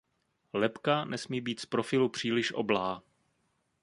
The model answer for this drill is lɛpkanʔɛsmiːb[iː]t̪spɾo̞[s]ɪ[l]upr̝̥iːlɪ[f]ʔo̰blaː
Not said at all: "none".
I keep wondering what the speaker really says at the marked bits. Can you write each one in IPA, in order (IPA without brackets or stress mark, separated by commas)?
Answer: iː, f, l, ʃ